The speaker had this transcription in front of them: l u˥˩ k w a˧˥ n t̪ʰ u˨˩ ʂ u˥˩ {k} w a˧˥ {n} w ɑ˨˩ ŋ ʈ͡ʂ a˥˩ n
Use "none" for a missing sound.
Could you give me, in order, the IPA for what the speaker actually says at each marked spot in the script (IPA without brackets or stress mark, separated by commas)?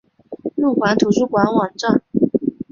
k, n